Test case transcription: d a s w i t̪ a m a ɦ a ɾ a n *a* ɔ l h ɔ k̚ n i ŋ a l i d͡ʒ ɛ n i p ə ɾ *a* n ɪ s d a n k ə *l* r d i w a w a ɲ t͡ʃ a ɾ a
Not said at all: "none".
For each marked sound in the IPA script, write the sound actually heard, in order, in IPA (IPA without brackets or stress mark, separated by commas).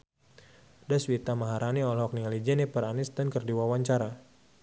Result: i, a, none